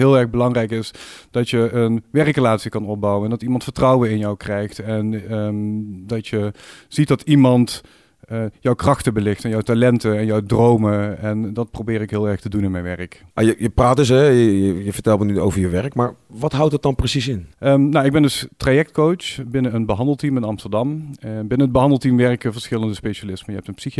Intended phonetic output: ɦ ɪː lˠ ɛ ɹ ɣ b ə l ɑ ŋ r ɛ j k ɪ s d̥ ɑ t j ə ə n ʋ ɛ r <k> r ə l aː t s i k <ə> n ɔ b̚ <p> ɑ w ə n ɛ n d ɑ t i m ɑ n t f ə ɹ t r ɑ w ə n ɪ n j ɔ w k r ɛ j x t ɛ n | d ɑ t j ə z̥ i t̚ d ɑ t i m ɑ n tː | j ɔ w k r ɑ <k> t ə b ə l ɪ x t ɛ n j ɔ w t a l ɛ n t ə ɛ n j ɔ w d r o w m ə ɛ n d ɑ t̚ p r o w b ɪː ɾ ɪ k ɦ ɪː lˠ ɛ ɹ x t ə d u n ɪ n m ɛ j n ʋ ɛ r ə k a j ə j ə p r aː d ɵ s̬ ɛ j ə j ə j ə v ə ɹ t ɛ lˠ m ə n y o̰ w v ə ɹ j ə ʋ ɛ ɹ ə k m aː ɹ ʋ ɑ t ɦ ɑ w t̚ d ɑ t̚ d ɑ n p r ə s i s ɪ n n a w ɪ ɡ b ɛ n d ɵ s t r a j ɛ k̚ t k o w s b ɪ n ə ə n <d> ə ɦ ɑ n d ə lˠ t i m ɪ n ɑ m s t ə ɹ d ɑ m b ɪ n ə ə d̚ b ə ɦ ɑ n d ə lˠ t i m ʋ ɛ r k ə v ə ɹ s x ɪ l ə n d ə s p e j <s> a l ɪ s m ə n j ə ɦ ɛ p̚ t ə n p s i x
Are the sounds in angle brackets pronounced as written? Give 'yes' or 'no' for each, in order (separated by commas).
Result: yes, no, no, no, no, no